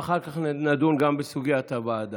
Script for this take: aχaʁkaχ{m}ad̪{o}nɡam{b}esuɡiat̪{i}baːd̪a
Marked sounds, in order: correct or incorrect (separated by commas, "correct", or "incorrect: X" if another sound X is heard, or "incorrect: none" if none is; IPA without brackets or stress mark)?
incorrect: n, incorrect: u, correct, incorrect: a